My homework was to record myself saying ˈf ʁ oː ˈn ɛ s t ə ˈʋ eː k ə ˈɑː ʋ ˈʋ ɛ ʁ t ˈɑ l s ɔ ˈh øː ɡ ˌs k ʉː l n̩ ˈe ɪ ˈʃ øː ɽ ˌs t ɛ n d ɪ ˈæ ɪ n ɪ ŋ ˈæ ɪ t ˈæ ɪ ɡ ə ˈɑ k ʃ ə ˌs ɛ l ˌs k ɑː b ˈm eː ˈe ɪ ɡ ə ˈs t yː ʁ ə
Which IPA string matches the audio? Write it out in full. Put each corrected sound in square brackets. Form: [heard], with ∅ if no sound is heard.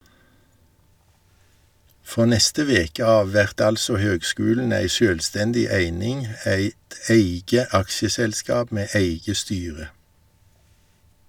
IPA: ˈf ʁ oː ˈn ɛ s t ə ˈʋ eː k ə ˈɑː ʋ ˈʋ ɛ ʁ t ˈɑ l s ɔ ˈh øː ɡ ˌs k ʉː l n̩ [ˈæ] ɪ ˈʃ øː [l] ˌs t ɛ n d ɪ ˈæ ɪ n ɪ ŋ ˈæ ɪ t ˈæ ɪ ɡ ə ˈɑ k ʃ ə ˌs ɛ l ˌs k ɑː b ˈm eː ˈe ɪ ɡ ə ˈs t yː ʁ ə